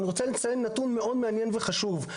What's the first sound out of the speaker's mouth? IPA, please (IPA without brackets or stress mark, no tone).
n